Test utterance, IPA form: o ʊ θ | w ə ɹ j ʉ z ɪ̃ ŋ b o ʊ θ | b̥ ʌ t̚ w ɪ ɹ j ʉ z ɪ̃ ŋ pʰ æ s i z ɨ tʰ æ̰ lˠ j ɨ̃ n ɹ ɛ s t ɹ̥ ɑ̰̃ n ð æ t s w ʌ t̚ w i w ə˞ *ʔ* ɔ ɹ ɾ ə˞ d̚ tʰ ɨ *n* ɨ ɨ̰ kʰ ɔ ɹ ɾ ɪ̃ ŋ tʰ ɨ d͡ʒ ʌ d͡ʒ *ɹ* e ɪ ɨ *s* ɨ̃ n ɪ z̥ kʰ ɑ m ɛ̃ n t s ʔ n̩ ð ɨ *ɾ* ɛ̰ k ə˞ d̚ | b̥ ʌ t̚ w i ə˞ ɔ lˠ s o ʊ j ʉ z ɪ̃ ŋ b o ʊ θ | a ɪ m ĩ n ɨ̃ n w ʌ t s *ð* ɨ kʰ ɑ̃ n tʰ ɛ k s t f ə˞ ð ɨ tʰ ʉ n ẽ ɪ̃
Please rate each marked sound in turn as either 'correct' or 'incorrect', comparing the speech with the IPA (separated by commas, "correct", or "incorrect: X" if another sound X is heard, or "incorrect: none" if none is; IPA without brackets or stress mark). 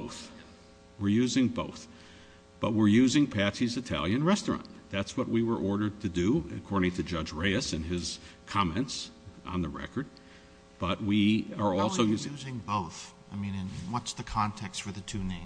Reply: correct, incorrect: d, correct, correct, incorrect: ɹ, correct